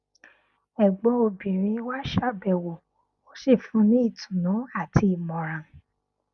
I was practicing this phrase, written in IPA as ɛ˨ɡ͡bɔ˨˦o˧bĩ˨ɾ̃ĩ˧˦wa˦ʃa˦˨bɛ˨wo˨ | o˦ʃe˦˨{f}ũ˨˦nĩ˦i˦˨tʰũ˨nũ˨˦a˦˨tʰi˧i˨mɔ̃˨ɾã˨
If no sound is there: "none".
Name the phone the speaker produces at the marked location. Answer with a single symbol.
f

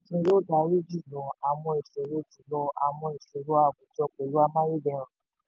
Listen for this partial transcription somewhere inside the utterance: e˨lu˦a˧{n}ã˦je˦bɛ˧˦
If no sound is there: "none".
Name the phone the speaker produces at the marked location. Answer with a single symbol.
m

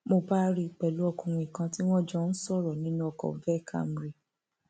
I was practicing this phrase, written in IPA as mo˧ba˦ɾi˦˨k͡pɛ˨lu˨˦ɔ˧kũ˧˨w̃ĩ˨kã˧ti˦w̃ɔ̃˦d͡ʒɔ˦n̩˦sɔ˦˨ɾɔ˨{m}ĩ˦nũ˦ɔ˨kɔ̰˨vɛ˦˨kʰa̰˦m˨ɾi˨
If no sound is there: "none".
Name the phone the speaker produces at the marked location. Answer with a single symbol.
n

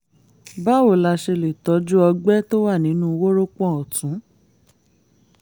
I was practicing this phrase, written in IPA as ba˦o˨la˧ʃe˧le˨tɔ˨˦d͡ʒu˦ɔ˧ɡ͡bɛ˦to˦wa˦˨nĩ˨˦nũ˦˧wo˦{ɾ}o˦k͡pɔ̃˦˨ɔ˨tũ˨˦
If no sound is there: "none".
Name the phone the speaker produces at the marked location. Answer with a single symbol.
ɾ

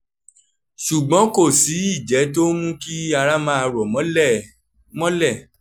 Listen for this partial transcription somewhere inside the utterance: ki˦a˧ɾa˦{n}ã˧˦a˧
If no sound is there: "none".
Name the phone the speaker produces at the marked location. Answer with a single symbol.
m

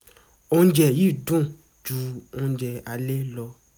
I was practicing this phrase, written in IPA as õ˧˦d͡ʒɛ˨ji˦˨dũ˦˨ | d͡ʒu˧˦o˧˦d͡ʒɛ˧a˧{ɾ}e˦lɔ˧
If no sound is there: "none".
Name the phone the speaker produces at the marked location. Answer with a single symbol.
l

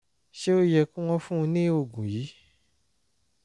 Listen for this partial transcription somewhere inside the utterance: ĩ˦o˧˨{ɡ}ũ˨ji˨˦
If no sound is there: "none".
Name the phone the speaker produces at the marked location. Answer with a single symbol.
ɡ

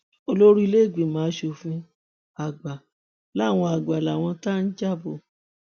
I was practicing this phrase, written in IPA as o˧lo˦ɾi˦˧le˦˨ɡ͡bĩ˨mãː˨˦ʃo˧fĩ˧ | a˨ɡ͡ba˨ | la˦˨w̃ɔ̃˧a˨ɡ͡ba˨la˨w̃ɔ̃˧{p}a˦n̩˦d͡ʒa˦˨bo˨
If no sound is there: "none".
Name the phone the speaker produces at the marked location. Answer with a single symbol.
t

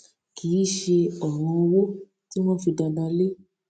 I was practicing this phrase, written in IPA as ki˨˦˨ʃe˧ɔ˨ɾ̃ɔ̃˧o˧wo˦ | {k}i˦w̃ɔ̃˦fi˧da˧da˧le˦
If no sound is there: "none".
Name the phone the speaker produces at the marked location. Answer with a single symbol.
t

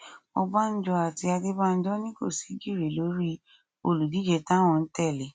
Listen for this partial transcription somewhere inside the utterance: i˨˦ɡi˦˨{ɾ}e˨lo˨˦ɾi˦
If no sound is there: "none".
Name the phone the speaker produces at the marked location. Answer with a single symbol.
ɾ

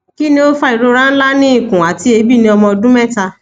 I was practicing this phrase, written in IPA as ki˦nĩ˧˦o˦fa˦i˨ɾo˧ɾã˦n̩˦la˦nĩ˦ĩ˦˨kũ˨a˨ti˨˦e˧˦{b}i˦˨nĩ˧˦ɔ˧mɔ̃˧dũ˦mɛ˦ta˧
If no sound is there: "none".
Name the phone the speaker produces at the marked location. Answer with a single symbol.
b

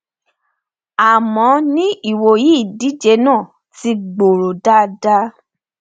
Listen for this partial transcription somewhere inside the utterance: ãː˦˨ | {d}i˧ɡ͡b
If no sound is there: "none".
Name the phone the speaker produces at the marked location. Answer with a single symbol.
t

